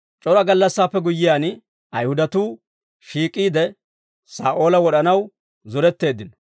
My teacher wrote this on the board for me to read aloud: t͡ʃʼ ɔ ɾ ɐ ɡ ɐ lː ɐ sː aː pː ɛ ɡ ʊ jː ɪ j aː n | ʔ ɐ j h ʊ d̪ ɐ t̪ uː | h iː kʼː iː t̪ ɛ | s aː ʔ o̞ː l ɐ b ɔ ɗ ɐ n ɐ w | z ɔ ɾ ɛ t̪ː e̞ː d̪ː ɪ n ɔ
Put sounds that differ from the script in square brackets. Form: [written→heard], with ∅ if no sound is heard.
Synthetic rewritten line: t͡ʃʼ ɔ ɾ ɐ ɡ ɐ lː ɐ sː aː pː ɛ ɡ ʊ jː ɪ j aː n | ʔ ɐ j h ʊ d̪ ɐ t̪ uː | [h→ʃ] iː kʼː iː [t̪→d̪] ɛ | s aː ʔ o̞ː l ɐ [b→w] ɔ ɗ ɐ n ɐ w | z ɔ ɾ ɛ t̪ː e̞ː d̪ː ɪ n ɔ

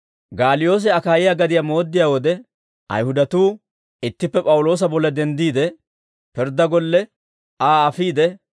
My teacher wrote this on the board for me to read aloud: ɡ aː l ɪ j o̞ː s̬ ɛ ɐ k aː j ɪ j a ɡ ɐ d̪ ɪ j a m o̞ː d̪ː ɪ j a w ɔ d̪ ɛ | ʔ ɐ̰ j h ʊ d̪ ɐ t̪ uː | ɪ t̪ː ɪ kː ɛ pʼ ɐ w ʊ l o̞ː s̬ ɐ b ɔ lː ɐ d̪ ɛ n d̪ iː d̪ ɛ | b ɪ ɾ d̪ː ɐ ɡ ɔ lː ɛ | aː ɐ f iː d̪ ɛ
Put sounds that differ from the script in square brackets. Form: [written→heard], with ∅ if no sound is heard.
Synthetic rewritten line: ɡ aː l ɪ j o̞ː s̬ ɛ ɐ k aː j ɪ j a ɡ ɐ d̪ ɪ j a m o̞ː d̪ː ɪ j a w ɔ d̪ ɛ | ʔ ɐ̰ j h ʊ d̪ ɐ t̪ uː | ɪ t̪ː ɪ [kː→pː] ɛ pʼ ɐ w ʊ l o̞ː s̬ ɐ b ɔ lː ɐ d̪ ɛ n d̪ iː d̪ ɛ | [b→p] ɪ ɾ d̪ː ɐ ɡ ɔ lː ɛ | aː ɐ f iː d̪ ɛ

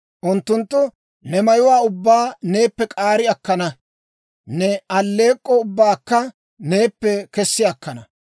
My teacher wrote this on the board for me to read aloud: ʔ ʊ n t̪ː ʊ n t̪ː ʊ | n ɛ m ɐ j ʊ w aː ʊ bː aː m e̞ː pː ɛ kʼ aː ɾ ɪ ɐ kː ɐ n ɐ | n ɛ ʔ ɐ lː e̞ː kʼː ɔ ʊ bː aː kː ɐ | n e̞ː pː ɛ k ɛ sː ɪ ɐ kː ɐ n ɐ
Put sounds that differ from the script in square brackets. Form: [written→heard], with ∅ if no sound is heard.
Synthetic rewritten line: ʔ ʊ n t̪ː ʊ n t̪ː ʊ | n ɛ m ɐ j ʊ w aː ʊ bː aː [m→n] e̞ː pː ɛ kʼ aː ɾ ɪ ɐ kː ɐ n ɐ | n ɛ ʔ ɐ lː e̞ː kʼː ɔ ʊ bː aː kː ɐ | n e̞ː pː ɛ k ɛ sː ɪ ɐ kː ɐ n ɐ

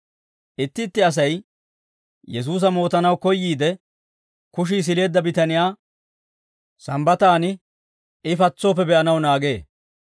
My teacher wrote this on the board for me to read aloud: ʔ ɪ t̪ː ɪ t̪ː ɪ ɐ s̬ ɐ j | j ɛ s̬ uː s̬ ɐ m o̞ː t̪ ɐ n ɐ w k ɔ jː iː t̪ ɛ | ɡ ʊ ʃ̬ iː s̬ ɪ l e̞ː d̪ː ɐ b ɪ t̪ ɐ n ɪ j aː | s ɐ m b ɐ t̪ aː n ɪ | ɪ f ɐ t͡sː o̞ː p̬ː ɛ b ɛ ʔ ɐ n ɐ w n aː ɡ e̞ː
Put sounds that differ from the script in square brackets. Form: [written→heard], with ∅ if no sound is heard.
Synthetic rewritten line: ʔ ɪ t̪ː ɪ t̪ː ɪ ɐ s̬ ɐ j | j ɛ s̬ uː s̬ ɐ m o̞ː t̪ ɐ n ɐ w k ɔ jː iː [t̪→d̪] ɛ | [ɡ→k] ʊ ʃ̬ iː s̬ ɪ l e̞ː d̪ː ɐ b ɪ t̪ ɐ n ɪ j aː | s ɐ m b ɐ t̪ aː n ɪ | ɪ f ɐ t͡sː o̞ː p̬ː ɛ b ɛ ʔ ɐ n ɐ w n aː ɡ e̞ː

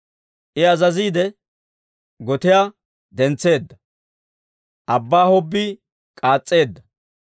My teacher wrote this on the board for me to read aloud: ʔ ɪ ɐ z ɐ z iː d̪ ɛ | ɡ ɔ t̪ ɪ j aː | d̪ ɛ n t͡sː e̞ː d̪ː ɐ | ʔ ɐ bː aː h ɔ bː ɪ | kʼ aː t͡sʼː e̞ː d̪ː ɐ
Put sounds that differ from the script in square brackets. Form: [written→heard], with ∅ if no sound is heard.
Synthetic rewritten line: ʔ ɪ ɐ z ɐ z iː d̪ ɛ | ɡ ɔ t̪ ɪ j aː | d̪ ɛ n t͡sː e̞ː d̪ː ɐ | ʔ ɐ bː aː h ɔ bː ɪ | kʼ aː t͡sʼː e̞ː d̪ː ɐ

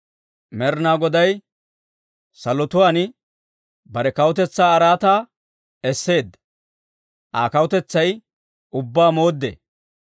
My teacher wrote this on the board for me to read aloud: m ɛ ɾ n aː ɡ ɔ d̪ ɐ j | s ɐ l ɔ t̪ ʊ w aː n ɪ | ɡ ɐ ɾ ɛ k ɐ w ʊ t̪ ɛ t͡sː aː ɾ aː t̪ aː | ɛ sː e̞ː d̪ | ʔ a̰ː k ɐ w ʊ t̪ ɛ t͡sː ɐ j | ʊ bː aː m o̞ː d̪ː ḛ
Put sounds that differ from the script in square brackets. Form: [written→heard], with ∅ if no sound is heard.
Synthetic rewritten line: m ɛ ɾ n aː ɡ ɔ d̪ ɐ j | s ɐ l ɔ t̪ ʊ w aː n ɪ | [ɡ→b] ɐ ɾ ɛ k ɐ w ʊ t̪ ɛ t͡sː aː ɾ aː t̪ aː | ɛ sː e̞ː d̪ | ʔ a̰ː k ɐ w ʊ t̪ ɛ t͡sː ɐ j | ʊ bː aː m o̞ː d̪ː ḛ

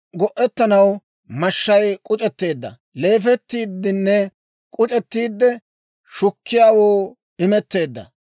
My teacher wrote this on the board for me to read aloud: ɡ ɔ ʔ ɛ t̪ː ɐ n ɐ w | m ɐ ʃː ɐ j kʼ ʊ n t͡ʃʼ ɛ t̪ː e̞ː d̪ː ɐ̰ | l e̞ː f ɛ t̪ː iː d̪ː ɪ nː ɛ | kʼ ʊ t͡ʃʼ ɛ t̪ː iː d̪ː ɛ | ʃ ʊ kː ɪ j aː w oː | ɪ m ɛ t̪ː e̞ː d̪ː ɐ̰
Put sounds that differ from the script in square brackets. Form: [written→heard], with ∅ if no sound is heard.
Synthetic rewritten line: ɡ ɔ ʔ ɛ t̪ː ɐ n ɐ w | m ɐ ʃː ɐ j kʼ ʊ [n→∅] t͡ʃʼ ɛ t̪ː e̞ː d̪ː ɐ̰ | l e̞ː f ɛ t̪ː iː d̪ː ɪ nː ɛ | kʼ ʊ t͡ʃʼ ɛ t̪ː iː d̪ː ɛ | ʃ ʊ kː ɪ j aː w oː | ɪ m ɛ t̪ː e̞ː d̪ː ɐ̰

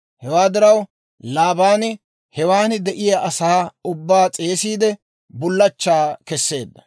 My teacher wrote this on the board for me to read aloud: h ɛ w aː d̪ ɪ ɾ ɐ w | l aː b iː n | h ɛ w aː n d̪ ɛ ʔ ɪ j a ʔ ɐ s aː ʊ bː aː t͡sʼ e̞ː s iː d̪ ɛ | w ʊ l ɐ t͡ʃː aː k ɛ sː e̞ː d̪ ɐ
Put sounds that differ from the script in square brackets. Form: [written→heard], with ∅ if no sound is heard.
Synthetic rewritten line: h ɛ w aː d̪ ɪ ɾ ɐ w | l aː b [iː→aː] n | h ɛ w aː n d̪ ɛ ʔ ɪ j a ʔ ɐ s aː ʊ bː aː t͡sʼ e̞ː s iː d̪ ɛ | [w→b] ʊ [l→lː] ɐ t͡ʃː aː k ɛ sː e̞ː [d̪→d̪ː] ɐ

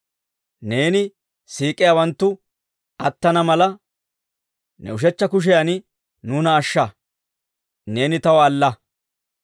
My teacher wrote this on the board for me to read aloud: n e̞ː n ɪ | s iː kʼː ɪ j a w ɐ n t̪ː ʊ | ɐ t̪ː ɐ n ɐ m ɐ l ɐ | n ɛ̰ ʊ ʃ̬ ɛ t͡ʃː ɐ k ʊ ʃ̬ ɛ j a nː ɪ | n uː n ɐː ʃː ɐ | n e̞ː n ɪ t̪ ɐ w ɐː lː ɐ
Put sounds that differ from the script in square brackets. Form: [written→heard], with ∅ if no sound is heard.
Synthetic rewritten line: n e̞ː n ɪ | s iː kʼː ɪ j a w ɐ n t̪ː ʊ | ɐ t̪ː ɐ n ɐ m ɐ l ɐ | n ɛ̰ ʊ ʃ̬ ɛ t͡ʃː ɐ k ʊ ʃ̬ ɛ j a [nː→n] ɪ | n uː n ɐː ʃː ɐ | n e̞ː n ɪ t̪ ɐ w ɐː lː ɐ

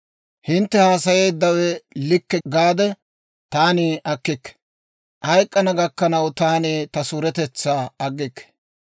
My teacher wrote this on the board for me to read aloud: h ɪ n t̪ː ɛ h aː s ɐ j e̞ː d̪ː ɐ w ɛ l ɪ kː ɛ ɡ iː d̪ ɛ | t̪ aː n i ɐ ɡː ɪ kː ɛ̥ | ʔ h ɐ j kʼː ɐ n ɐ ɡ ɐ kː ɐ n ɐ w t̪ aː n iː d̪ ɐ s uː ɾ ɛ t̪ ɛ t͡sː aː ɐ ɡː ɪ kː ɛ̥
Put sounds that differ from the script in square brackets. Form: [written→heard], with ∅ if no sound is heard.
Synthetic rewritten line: h ɪ n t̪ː ɛ h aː s ɐ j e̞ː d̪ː ɐ w ɛ l ɪ kː ɛ ɡ [iː→aː] d̪ ɛ | t̪ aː n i ɐ [ɡː→kː] ɪ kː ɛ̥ | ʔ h ɐ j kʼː ɐ n ɐ ɡ ɐ kː ɐ n ɐ w t̪ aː n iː [d̪→t̪] ɐ s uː ɾ ɛ t̪ ɛ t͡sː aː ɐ ɡː ɪ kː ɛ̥

